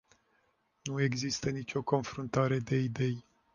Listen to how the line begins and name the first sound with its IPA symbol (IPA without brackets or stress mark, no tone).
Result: n